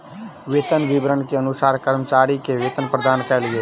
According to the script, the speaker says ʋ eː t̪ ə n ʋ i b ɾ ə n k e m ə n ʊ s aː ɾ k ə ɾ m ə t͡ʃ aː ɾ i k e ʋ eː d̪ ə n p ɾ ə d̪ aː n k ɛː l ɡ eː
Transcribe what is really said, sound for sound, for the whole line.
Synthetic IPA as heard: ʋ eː t̪ ə n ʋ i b ɾ ə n k e ə n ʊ s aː ɾ k ə ɾ m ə t͡ʃ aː ɾ i k e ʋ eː t̪ ə n p ɾ ə d̪ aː n k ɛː l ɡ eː